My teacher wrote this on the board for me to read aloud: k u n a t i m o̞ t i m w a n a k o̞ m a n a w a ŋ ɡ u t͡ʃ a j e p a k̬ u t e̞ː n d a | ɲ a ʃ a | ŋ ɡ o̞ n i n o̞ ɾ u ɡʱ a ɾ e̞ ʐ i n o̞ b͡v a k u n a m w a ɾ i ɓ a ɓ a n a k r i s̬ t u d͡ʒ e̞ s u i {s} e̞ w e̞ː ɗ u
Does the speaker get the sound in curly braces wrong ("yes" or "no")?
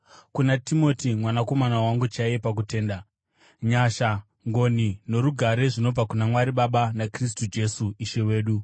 yes